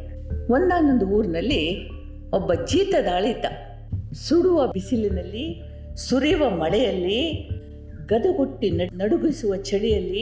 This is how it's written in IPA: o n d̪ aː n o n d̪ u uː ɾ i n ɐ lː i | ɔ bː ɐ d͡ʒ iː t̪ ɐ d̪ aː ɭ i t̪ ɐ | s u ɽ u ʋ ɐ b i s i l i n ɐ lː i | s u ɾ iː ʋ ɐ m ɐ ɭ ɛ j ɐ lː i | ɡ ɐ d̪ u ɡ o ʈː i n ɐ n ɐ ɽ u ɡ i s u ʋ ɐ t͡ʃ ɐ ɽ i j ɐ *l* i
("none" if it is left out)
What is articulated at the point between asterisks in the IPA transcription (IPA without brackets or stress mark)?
lː